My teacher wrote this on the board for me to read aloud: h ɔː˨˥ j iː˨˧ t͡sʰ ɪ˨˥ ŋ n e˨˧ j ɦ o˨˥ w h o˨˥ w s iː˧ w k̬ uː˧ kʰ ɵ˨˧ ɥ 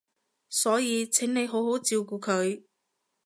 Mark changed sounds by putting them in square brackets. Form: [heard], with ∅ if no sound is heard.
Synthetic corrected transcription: [s] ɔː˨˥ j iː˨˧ t͡sʰ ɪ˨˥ ŋ n e˨˧ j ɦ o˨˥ w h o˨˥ w [t͡s] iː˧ w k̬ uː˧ kʰ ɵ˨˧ ɥ